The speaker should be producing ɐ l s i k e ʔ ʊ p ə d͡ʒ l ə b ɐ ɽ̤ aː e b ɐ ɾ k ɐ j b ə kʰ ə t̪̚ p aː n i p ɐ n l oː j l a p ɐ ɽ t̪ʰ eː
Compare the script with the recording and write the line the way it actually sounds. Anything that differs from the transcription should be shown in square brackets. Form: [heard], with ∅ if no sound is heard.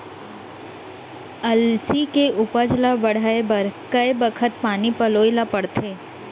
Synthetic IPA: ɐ l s i k e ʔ ʊ p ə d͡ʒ l [a] b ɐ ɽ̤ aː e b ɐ ɾ k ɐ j b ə kʰ ə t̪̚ p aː n i p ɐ [∅] l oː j l a p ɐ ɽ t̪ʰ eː